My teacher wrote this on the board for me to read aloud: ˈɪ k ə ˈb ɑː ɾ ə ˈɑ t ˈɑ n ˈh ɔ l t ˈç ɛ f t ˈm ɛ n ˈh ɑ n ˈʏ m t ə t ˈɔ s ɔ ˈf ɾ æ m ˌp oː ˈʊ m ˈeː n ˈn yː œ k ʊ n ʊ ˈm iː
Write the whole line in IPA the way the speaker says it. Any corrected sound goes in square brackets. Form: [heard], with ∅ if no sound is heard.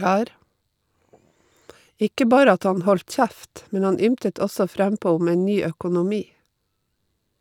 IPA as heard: ˈɪ k ə ˈb ɑː ɾ ə ˈɑ t ˈɑ n ˈh ɔ l t ˈç [æ] f t ˈm ɛ n ˈh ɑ n ˈʏ m t ə t ˈɔ s ɔ ˈf ɾ æ m ˌp oː ˈʊ m ˈeː n ˈn yː œ k ʊ n ʊ ˈm iː